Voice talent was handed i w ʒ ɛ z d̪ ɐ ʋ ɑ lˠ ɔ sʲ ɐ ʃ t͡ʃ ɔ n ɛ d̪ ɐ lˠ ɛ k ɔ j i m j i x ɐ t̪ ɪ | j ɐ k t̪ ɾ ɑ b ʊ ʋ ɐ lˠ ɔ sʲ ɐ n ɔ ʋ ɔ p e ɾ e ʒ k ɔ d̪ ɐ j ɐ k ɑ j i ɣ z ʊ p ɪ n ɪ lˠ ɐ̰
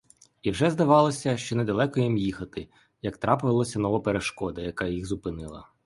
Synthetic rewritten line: i w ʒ ɛ z d̪ ɐ ʋ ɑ lˠ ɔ sʲ ɐ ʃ t͡ʃ ɔ n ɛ d̪ ɐ lˠ ɛ k ɔ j i m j i x ɐ t̪ ɪ | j ɐ k t̪ ɾ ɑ p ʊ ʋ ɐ lˠ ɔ sʲ ɐ n ɔ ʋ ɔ p e ɾ e ʃ k ɔ d̪ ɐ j ɐ k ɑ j i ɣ z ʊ p ɪ n ɪ lˠ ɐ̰